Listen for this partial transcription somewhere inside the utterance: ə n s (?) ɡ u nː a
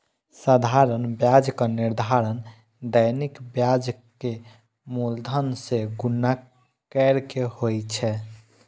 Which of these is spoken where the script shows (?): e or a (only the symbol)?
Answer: e